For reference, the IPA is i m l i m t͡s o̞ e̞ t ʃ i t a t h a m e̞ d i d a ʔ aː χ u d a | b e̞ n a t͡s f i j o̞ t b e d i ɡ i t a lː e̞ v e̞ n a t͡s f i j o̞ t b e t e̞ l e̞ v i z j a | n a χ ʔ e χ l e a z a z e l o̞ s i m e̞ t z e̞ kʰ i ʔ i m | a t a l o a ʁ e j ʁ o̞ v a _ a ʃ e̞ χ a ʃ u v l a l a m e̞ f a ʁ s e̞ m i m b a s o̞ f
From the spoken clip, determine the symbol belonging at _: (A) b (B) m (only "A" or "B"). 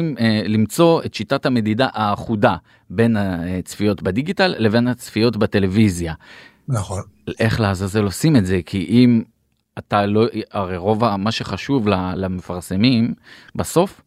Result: B